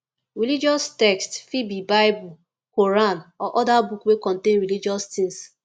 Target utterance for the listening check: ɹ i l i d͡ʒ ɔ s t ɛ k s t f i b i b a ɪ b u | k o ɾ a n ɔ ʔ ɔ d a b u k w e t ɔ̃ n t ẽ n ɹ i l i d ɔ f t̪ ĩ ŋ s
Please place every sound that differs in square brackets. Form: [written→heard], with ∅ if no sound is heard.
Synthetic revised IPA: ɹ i l i d͡ʒ ɔ s t ɛ k s t f i b i b a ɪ b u | k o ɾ a n ɔ ʔ ɔ d a b u k w e [t→k] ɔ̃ n t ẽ n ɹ i l i [d→d͡ʒ] ɔ [f→s] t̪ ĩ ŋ s